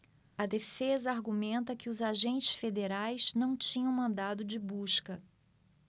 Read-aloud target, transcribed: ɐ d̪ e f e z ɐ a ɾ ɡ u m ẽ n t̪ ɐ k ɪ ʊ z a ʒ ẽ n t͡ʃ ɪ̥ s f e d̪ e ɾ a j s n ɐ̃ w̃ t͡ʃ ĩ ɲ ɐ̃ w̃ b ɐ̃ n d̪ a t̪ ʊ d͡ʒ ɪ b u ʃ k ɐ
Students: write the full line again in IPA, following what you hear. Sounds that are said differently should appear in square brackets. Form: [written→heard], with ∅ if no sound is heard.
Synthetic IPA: ɐ d̪ e f e z ɐ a ɾ ɡ u m ẽ n t̪ ɐ k ɪ ʊ z a ʒ ẽ n t͡ʃ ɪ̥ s f e d̪ e ɾ a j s n ɐ̃ w̃ t͡ʃ ĩ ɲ ɐ̃ w̃ [b→m] ɐ̃ n d̪ a [t̪→d̪] ʊ d͡ʒ ɪ b u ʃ k ɐ